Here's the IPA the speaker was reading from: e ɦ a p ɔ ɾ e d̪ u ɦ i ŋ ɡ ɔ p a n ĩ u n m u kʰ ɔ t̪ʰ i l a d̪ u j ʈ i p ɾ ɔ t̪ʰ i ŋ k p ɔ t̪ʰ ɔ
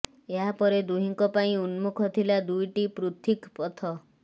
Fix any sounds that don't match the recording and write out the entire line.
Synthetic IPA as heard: e ɦ a p ɔ ɾ e d̪ u ɦ i ŋ k ɔ p a ĩ u n m u kʰ ɔ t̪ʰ i l a d̪ u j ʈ i p ɾ u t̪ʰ i k p ɔ t̪ʰ ɔ